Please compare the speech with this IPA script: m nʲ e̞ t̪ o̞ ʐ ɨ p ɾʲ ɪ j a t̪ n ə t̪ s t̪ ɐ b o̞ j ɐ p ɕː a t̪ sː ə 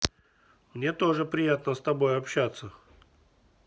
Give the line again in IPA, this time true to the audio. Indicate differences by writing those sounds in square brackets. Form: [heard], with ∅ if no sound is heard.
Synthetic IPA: m nʲ e̞ t̪ o̞ ʐ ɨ p ɾʲ ɪ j a t̪ n ə [∅] s t̪ ɐ b o̞ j ɐ p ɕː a t̪ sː ə

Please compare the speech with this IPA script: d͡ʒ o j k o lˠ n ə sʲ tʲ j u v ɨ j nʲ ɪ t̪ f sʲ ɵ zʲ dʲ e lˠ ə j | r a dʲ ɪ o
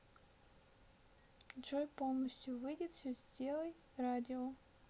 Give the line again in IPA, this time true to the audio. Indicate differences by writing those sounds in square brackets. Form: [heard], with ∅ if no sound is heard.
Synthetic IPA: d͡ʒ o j [p] o lˠ n ə sʲ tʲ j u v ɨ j [dʲ] ɪ t̪ f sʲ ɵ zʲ dʲ e lˠ ə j | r a dʲ ɪ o

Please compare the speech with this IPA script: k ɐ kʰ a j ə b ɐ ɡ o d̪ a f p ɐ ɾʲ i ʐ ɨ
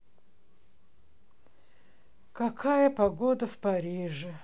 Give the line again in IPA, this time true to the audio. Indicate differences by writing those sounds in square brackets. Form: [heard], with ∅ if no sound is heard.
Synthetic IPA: k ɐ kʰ a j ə [p] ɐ ɡ o d̪ [ə] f p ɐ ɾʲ i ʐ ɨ

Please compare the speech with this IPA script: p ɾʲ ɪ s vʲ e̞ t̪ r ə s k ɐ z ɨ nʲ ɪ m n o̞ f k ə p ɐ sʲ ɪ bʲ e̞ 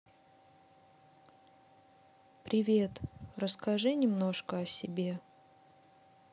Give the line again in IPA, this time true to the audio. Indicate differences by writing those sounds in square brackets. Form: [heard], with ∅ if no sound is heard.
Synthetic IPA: p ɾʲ ɪ [∅] vʲ e̞ t̪ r ə s k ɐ [ʐ] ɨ nʲ ɪ m n o̞ [ʂ] k ə [∅] ɐ sʲ ɪ bʲ e̞

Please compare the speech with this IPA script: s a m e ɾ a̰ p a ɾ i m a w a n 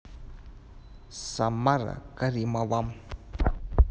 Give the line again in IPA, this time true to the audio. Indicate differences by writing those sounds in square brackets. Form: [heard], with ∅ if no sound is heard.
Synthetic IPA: s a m [a] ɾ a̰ [k] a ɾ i m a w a [m]

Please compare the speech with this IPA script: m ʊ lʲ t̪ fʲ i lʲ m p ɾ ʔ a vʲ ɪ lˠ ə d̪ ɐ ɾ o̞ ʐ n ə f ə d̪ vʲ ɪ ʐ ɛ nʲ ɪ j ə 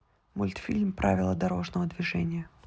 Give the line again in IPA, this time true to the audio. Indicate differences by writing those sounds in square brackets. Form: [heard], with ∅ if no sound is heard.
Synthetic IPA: m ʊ lʲ t̪ fʲ i lʲ m p ɾ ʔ a vʲ ɪ lˠ ə d̪ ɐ ɾ o̞ ʐ n ə [v] ə d̪ vʲ ɪ ʐ ɛ nʲ ɪ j ə

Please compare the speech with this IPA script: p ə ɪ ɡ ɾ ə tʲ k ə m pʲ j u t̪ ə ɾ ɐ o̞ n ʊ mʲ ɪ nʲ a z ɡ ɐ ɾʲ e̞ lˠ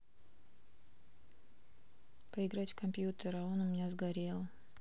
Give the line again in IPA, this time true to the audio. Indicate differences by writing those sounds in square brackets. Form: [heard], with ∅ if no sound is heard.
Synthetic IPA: p ə ɪ ɡ ɾ [a] tʲ k [ɐ] m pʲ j u t̪ ə ɾ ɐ o̞ n ʊ mʲ ɪ nʲ a z ɡ ɐ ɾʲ e̞ lˠ

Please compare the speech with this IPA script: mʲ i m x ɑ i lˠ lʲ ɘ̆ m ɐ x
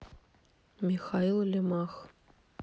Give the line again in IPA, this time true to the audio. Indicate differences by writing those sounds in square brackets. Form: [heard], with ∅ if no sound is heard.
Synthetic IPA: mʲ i [∅] x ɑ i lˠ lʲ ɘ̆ m [ɑ] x

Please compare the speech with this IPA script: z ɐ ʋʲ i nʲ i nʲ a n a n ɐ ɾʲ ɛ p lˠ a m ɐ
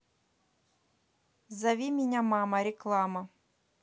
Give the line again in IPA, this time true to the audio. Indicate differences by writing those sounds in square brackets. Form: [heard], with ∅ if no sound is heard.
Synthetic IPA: z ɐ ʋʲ i [mʲ] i nʲ a [m] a [m] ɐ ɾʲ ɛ [k] lˠ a m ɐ

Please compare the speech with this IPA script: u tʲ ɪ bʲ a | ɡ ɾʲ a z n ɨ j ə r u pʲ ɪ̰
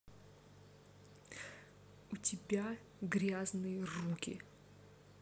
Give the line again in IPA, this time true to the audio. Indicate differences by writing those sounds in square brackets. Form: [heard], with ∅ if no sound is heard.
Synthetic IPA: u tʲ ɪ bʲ a | ɡ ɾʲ a z n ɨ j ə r u [kʲ] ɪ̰

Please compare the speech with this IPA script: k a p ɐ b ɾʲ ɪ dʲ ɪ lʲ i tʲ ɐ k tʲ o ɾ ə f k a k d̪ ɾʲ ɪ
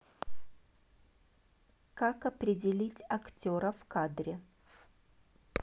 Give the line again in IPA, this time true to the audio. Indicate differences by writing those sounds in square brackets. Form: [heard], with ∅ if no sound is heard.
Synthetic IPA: k a [k] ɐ [p] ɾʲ ɪ dʲ ɪ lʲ i tʲ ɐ k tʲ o ɾ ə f k a [∅] d̪ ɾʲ ɪ

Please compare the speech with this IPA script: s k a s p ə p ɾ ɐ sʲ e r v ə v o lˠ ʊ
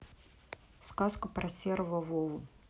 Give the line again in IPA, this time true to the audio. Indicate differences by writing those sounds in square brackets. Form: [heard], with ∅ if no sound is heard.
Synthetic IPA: s k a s [k] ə p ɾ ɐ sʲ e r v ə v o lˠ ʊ

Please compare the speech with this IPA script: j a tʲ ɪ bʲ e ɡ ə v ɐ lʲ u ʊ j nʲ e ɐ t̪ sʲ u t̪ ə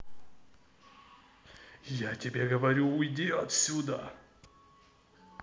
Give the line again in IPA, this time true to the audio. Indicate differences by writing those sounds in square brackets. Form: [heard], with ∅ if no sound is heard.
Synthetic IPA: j a tʲ ɪ bʲ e ɡ ə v ɐ [ɾʲ] u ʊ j [dʲ] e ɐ t̪ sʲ u [d̪] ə

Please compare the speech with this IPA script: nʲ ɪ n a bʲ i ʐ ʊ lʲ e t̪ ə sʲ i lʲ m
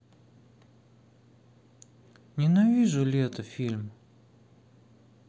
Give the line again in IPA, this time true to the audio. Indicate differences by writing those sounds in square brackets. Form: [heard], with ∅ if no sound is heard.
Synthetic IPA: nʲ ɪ n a [vʲ] i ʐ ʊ lʲ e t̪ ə [fʲ] i lʲ m

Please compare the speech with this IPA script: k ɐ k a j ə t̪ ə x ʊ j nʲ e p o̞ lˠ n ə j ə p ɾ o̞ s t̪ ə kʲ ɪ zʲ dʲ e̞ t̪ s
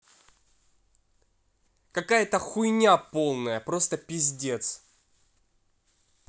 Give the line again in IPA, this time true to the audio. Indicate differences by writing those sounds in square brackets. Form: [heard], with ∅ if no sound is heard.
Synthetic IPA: k ɐ k a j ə t̪ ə x ʊ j nʲ [a] p o̞ lˠ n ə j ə p ɾ o̞ s t̪ ə [pʲ] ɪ zʲ dʲ e̞ t̪ s

